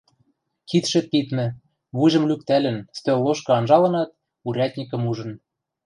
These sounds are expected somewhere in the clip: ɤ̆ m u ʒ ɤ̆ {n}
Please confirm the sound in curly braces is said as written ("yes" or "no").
yes